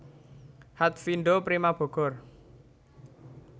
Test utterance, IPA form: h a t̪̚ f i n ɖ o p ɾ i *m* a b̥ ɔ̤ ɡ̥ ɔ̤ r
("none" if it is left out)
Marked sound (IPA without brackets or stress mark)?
m